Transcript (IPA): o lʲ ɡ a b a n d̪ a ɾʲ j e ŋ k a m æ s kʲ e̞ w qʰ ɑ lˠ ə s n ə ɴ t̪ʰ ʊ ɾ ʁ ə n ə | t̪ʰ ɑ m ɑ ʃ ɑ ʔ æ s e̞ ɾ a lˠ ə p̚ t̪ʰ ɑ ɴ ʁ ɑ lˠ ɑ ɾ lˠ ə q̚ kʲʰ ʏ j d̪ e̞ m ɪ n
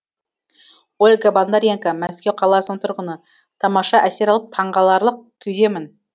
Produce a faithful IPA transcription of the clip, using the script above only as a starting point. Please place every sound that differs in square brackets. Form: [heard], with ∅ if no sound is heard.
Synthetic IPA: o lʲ ɡ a b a n d̪ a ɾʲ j e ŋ k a m æ s kʲ e̞ w qʰ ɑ lˠ [ɑ] s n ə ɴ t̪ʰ ʊ ɾ ʁ ə n ə | t̪ʰ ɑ m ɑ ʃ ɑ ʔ æ s e̞ ɾ [ɑ] lˠ ə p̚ t̪ʰ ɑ ɴ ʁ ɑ lˠ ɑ ɾ lˠ ə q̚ kʲʰ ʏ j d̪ e̞ m ɪ n